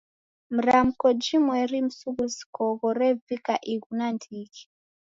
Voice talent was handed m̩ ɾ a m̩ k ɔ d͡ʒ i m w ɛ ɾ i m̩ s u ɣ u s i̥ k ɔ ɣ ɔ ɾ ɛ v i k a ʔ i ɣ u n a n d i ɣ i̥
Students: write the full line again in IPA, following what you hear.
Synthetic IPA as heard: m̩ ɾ a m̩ k ɔ d͡ʒ i m w ɛ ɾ i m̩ s u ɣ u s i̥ k ɔ ɣ ɔ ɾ ɛ v i k a ʔ i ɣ u n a n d i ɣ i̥